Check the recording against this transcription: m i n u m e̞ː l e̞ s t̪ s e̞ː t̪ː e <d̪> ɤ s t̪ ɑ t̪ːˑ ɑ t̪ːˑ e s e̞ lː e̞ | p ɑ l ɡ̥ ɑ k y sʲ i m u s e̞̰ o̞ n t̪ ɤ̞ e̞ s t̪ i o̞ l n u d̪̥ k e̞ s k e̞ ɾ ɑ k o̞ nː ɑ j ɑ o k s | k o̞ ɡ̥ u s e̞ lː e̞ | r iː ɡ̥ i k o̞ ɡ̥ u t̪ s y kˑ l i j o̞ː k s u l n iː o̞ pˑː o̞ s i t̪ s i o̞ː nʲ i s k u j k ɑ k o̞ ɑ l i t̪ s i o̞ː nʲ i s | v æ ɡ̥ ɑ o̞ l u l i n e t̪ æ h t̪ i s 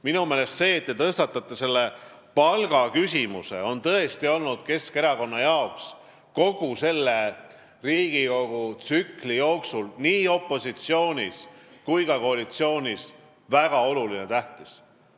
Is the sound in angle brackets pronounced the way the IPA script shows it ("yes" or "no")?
no